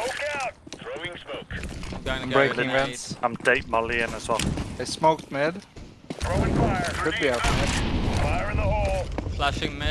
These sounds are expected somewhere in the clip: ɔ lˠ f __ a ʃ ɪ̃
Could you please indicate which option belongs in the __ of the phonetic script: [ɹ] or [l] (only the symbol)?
l